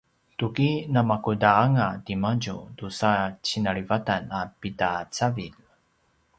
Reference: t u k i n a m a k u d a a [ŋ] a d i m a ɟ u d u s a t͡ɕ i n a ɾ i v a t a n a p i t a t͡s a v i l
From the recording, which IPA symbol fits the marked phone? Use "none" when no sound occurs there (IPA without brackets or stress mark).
ŋ